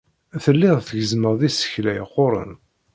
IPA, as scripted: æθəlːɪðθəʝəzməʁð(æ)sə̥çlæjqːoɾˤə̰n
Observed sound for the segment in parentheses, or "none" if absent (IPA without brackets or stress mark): i